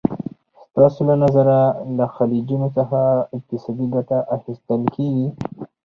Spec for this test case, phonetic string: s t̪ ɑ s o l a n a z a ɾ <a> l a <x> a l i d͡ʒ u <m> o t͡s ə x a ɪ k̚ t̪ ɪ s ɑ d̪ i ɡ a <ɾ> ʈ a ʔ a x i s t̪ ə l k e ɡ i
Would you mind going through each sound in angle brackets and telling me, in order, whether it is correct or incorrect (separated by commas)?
correct, correct, incorrect, incorrect